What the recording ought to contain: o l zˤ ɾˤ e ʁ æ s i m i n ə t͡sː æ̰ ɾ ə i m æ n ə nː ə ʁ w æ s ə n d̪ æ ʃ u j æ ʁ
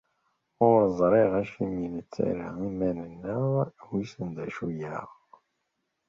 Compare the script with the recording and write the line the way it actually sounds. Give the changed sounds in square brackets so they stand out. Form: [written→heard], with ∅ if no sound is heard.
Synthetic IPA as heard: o [l→ɾ] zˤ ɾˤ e ʁ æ [s→ʃ] i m i n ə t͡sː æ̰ ɾ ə i m æ n ə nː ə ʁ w [æ→i] s ə n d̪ æ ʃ u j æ ʁ